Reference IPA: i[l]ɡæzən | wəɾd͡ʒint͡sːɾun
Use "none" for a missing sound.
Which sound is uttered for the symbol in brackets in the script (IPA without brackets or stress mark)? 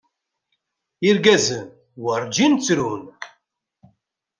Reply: ɾ